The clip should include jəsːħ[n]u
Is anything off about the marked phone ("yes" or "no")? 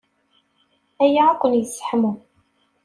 yes